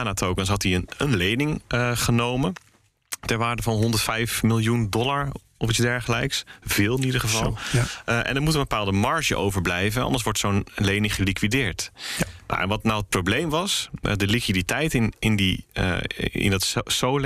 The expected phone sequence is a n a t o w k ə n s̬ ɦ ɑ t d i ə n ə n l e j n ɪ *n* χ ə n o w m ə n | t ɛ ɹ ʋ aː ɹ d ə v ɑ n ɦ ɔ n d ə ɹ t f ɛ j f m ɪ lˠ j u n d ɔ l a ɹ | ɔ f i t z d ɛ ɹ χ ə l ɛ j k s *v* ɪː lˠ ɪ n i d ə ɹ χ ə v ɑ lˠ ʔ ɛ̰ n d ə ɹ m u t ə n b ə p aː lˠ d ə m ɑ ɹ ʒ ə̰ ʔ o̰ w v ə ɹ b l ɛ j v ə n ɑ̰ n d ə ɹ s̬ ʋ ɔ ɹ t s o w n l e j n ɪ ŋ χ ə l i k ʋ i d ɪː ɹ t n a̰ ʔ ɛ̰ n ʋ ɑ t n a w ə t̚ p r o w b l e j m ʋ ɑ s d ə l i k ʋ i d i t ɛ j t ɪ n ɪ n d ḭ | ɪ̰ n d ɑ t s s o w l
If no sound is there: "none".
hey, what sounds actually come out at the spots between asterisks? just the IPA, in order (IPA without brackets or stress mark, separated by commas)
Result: ŋ, v